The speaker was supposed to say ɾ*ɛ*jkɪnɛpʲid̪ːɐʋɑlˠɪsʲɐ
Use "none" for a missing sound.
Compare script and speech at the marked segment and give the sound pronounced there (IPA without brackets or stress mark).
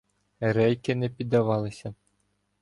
ɛ